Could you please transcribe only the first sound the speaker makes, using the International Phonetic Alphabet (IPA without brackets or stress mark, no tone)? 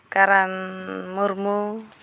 k